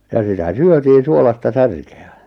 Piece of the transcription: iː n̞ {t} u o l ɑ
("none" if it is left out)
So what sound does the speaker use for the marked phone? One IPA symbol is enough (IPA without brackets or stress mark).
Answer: s